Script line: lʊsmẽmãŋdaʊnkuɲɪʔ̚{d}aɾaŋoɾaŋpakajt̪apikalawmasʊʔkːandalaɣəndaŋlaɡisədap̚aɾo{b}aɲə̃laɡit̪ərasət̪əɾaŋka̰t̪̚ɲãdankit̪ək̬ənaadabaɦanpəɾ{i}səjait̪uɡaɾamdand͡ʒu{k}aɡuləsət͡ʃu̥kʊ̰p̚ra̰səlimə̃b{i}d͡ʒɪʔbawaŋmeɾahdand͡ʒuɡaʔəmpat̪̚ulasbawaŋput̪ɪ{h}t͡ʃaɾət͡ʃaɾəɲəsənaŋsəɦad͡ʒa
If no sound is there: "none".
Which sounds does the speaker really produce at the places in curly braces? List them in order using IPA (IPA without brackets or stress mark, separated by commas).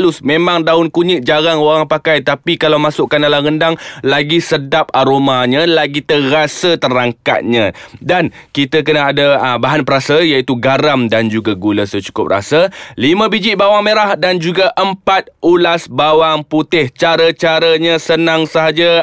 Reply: d͡ʒ, m, a, ɡ, i, h